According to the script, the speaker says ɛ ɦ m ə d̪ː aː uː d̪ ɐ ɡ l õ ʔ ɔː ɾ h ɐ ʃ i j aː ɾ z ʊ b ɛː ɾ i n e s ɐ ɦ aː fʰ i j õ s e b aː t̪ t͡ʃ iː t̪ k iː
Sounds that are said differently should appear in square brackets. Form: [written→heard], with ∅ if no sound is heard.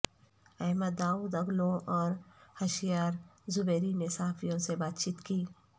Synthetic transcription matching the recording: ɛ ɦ m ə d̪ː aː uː d̪ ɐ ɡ l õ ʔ ɔː ɾ h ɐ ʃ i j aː ɾ z ʊ b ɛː ɾ i n e s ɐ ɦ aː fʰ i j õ s e b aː t̪ t͡ʃ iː t̪ k iː